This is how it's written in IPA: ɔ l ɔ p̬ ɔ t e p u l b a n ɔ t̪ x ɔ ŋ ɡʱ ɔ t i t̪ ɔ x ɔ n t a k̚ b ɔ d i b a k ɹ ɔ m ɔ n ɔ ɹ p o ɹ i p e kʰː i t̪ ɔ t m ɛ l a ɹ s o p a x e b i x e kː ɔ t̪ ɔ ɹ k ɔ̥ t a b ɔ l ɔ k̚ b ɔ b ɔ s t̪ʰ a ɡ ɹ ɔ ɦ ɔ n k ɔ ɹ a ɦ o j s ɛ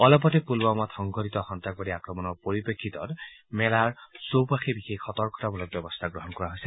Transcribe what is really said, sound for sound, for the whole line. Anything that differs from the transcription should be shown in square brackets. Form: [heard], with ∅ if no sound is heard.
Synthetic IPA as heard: ɔ l ɔ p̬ ɔ t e p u l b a [m] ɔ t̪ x ɔ ŋ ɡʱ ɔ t i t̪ ɔ x ɔ n t a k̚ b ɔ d i [∅] a k ɹ ɔ m ɔ n ɔ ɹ p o ɹ i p e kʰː i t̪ ɔ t m ɛ l a ɹ s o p a x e b i x e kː ɔ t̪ ɔ ɹ k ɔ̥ t a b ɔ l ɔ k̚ b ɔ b ɔ s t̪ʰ a ɡ ɹ ɔ ɦ ɔ n k ɔ ɹ a ɦ o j s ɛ